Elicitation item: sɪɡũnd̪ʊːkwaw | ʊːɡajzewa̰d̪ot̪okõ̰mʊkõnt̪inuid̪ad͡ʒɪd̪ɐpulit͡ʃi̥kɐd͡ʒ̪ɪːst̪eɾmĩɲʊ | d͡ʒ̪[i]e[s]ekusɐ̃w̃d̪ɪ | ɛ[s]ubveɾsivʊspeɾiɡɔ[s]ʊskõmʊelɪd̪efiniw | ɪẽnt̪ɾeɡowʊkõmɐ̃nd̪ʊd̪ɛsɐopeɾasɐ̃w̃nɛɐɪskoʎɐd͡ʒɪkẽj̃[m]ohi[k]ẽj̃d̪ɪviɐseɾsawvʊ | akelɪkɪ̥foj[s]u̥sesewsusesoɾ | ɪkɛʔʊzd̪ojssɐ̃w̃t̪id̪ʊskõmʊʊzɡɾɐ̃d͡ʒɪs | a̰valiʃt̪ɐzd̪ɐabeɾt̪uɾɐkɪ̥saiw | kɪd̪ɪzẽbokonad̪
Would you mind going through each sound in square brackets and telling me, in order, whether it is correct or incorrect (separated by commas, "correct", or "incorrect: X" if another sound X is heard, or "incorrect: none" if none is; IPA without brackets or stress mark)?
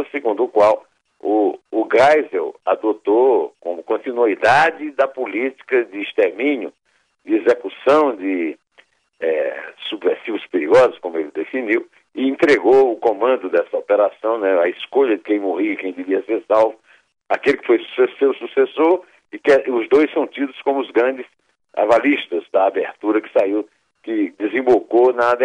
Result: incorrect: ɪ, incorrect: z, correct, incorrect: z, correct, correct, correct